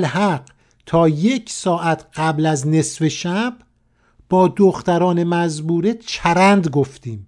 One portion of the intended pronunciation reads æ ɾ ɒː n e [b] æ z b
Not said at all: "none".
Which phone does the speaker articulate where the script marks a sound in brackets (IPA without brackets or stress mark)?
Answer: m